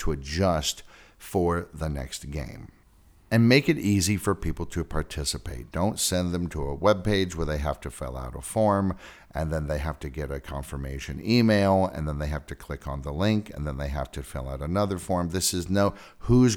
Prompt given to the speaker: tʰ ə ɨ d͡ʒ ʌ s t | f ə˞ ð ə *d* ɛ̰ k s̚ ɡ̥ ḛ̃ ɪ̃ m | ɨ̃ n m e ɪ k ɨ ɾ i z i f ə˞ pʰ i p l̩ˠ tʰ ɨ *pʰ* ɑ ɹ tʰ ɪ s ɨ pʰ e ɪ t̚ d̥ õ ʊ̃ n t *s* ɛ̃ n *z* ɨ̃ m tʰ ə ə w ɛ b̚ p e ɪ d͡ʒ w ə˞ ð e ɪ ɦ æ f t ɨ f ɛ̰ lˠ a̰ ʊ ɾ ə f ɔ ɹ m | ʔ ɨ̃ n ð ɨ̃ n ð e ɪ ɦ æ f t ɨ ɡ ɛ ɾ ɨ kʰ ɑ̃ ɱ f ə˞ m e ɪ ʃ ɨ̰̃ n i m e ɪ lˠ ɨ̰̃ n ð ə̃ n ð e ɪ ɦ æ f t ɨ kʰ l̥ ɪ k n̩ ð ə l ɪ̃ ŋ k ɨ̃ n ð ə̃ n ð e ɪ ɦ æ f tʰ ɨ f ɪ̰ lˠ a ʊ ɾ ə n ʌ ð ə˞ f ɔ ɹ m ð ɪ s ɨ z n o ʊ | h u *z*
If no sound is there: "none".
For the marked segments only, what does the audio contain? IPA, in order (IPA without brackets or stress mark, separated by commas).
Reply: n, pʰ, s, ð, z